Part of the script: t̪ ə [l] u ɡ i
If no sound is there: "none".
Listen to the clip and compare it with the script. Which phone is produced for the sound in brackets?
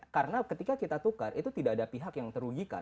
ɾ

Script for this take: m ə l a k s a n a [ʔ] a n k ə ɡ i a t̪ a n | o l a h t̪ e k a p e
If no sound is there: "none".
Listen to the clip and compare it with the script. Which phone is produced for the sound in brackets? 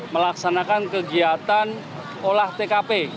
k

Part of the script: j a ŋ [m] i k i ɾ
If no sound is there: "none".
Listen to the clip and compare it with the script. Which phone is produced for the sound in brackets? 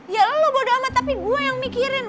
m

